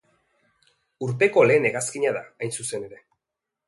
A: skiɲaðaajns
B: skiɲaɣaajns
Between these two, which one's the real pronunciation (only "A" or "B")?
A